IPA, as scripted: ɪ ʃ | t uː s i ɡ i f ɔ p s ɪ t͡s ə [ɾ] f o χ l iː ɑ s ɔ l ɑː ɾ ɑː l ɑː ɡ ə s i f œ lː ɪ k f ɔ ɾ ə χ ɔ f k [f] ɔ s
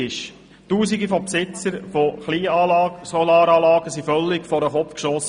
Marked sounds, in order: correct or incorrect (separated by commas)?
correct, incorrect